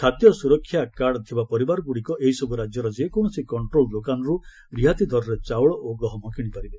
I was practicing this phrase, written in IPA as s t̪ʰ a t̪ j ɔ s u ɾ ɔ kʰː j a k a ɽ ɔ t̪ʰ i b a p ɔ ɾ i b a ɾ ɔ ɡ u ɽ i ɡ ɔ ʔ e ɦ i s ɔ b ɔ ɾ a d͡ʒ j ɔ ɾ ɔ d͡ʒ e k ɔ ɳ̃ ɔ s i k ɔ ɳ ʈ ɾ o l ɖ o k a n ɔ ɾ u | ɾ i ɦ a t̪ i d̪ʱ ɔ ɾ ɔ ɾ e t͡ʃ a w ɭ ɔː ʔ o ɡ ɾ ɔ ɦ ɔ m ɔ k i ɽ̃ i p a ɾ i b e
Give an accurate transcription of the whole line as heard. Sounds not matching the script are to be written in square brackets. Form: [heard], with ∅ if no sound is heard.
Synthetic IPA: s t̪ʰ a t̪ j ɔ s u ɾ ɔ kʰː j a k a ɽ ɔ t̪ʰ i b a p ɔ ɾ i b a ɾ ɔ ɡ u ɽ i [k] ɔ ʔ e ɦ i s ɔ b [u] ɾ a d͡ʒ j ɔ ɾ ɔ d͡ʒ e k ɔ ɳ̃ ɔ s i k ɔ ɳ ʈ ɾ o l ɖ o k a n ɔ ɾ u | ɾ i ɦ a t̪ i d̪ʱ ɔ ɾ ɔ ɾ e t͡ʃ a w ɭ [ɔ] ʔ o ɡ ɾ ɔ ɦ ɔ m ɔ k i ɽ̃ i p a ɾ i b e